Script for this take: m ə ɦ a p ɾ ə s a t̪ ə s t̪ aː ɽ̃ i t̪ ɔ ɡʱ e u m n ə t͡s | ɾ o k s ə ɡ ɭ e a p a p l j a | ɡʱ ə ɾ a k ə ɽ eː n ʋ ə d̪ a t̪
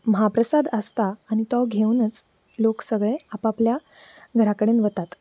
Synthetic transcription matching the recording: m ə ɦ a p ɾ ə s a d̪ ə s t̪ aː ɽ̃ i t̪ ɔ ɡʱ e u n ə t͡s | l o k s ə ɡ ɭ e a p a p l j a | ɡʱ ə ɾ a k ə ɽ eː n ʋ ə t̪ a t̪